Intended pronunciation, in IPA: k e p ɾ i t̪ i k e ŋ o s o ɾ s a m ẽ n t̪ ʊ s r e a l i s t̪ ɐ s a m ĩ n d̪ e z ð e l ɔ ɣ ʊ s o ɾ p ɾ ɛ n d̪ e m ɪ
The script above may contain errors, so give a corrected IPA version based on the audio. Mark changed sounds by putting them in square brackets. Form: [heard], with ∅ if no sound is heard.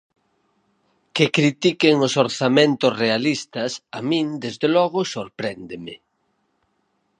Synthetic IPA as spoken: k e [k] ɾ i t̪ i k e ŋ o s o ɾ [θ] a m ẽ n t̪ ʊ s r e a l i s t̪ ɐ s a m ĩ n d̪ e z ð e l ɔ ɣ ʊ s o ɾ p ɾ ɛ n d̪ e m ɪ